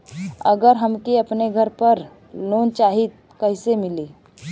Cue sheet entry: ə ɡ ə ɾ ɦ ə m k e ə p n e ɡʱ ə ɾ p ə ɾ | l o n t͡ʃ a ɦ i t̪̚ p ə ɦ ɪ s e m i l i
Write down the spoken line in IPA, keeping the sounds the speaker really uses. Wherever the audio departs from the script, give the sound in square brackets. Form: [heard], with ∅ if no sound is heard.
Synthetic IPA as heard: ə ɡ ə ɾ ɦ ə m k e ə p n e ɡʱ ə ɾ p ə ɾ | l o n t͡ʃ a ɦ i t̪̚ [k] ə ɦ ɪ s e m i l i